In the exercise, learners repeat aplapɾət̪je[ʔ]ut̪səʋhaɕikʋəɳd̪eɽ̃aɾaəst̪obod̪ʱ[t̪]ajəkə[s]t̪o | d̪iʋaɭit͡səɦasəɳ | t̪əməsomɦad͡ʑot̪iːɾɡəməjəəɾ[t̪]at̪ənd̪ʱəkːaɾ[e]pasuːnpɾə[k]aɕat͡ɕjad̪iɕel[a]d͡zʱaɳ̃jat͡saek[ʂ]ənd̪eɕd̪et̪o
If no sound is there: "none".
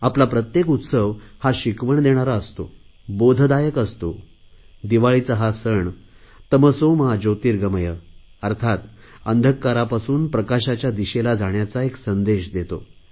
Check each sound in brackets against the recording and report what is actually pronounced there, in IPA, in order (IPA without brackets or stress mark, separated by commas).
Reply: k, d̪, s, t̪ʰ, a, k, a, s